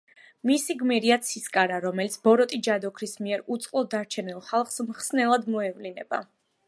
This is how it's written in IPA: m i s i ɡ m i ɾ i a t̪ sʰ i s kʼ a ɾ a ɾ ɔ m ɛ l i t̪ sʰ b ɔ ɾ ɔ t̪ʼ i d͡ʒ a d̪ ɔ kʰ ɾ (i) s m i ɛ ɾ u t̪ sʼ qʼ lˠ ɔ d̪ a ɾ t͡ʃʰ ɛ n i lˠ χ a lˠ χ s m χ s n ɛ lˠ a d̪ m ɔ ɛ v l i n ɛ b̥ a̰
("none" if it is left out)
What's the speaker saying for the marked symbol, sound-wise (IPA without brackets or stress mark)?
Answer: i